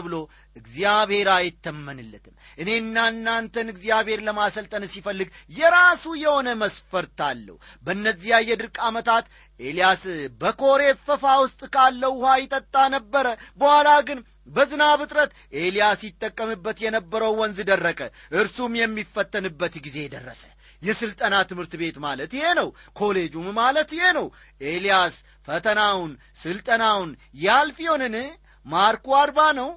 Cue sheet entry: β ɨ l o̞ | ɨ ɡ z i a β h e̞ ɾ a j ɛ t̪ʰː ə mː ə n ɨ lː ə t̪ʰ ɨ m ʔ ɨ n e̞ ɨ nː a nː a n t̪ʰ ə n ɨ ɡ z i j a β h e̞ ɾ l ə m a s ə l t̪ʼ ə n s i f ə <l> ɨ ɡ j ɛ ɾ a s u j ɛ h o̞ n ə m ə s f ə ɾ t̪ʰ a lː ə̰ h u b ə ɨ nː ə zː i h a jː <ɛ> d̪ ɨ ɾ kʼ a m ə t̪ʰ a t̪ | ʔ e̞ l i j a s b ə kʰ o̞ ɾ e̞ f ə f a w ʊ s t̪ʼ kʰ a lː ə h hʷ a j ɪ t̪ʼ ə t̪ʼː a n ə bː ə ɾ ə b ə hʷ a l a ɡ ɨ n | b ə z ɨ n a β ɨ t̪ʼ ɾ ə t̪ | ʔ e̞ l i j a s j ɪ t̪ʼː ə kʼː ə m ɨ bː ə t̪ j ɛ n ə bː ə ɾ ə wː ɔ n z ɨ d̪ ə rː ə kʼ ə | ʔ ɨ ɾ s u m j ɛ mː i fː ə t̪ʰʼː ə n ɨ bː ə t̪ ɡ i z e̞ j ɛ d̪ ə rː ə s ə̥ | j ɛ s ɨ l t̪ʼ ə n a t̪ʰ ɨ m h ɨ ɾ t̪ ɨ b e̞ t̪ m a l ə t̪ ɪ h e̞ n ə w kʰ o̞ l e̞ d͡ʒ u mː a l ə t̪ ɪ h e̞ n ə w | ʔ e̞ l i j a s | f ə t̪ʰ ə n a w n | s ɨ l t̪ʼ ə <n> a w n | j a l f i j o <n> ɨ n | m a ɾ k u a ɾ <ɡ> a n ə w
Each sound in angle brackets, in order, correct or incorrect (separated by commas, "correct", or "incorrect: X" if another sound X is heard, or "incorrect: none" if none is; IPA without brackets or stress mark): incorrect: lː, correct, correct, correct, incorrect: b